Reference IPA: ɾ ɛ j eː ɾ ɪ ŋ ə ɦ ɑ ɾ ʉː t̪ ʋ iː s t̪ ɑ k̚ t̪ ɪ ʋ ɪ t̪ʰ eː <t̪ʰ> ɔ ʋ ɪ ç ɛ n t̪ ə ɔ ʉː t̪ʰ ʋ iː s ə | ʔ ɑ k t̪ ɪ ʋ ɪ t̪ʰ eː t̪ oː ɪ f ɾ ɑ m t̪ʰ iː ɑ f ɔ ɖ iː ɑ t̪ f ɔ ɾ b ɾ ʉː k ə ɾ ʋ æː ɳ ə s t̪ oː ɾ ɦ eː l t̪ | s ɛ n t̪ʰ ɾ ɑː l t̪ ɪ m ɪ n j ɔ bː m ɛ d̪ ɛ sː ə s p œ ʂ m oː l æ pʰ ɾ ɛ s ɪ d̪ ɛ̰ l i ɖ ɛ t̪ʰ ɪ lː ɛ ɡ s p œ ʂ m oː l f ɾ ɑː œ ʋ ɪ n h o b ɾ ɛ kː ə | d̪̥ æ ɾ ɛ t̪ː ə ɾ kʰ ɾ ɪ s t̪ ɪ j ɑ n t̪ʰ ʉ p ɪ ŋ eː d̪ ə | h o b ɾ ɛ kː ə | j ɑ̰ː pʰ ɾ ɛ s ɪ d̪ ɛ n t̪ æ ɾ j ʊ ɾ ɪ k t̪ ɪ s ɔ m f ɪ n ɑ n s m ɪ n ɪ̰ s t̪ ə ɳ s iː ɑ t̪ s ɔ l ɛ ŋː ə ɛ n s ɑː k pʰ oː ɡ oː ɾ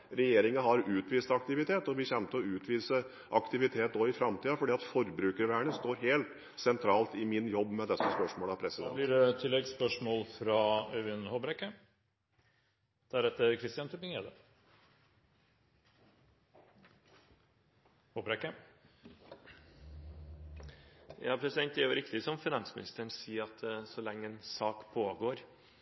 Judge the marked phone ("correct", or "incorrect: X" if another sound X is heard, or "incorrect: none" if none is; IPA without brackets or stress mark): incorrect: t̪